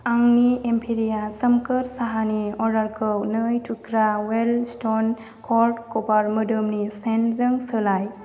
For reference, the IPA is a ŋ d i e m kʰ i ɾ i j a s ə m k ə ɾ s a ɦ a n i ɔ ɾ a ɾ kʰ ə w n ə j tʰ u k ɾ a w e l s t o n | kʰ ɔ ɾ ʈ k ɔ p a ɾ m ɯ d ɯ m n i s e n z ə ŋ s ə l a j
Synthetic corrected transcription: a ŋ n i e m pʰ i ɾ i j a s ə m k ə ɾ s a ɦ a n i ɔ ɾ a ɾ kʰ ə w n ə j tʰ u k ɾ a w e l s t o n | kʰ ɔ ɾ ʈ k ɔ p a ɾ m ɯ d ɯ m n i s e n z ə ŋ s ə l a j